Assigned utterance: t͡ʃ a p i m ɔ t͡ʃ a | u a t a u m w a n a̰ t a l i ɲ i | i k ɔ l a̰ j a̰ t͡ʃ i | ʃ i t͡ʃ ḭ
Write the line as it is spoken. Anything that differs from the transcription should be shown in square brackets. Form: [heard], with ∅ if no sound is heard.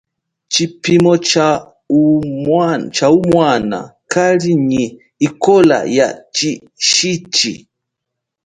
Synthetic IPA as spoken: t͡ʃ [i] p i m ɔ t͡ʃ a | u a [t͡ʃ] a u m w a n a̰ [k] a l i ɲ i | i k ɔ l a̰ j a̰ t͡ʃ i | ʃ i t͡ʃ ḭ